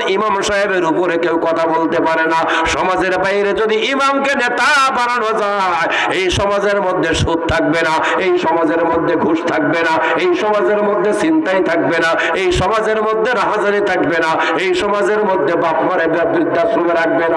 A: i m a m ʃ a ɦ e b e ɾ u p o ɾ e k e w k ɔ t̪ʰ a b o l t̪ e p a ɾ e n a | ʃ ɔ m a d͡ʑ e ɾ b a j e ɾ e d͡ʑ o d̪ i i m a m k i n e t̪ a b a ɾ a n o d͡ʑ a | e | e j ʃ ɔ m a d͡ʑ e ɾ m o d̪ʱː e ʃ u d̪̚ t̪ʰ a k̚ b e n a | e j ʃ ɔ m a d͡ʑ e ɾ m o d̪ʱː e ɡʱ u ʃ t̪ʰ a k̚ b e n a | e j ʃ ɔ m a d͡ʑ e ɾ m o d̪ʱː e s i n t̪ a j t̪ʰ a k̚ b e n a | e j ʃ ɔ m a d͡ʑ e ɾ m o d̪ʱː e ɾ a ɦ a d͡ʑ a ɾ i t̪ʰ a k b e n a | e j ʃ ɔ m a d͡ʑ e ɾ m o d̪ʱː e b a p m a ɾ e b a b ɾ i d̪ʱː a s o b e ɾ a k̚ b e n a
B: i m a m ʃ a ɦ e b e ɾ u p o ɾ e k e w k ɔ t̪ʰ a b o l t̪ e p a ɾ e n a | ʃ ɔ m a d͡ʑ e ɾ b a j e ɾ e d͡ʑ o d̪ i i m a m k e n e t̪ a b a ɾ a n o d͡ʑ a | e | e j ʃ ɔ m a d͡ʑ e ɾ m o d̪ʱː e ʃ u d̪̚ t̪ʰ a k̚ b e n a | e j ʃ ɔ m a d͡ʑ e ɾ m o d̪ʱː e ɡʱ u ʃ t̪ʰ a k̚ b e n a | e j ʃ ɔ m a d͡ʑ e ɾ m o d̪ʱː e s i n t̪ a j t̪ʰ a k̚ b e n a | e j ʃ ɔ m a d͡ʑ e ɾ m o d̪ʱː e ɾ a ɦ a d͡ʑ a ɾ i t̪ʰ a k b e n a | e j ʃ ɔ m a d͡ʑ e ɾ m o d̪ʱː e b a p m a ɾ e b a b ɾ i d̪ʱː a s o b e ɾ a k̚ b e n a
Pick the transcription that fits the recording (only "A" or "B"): B